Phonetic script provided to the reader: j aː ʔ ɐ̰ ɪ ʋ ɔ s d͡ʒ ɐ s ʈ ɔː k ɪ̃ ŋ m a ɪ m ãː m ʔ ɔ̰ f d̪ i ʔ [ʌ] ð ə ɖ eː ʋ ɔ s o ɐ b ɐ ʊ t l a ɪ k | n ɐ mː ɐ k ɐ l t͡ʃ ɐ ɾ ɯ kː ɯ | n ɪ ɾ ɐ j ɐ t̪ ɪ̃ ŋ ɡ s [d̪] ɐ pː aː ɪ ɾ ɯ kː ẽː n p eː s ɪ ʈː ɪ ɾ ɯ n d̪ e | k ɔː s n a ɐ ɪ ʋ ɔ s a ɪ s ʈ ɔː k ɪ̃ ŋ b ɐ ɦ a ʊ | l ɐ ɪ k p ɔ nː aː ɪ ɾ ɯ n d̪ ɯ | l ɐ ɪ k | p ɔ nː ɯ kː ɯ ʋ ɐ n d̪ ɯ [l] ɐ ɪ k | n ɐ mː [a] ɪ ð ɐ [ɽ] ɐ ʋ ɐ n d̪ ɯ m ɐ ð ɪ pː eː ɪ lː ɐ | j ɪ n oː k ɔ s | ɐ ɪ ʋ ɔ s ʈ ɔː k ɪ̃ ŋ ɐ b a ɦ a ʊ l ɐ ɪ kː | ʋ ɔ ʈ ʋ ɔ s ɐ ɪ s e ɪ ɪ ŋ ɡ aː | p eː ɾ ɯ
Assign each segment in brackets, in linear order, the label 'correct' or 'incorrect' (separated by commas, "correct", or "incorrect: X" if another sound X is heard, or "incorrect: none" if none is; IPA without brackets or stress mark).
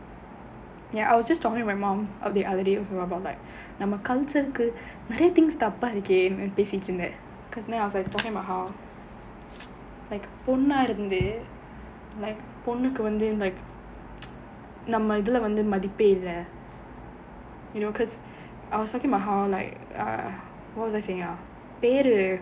incorrect: ɐ, incorrect: t̪, correct, incorrect: ɐ, incorrect: l